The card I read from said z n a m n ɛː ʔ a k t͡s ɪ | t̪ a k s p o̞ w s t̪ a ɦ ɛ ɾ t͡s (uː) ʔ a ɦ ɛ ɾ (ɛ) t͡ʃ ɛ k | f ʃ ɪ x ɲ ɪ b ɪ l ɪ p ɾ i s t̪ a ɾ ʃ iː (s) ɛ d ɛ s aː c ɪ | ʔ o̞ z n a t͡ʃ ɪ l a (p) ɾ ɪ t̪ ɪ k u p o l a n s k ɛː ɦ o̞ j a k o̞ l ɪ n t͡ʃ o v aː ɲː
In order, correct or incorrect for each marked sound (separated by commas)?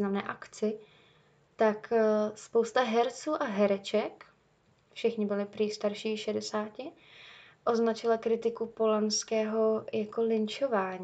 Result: correct, correct, incorrect, incorrect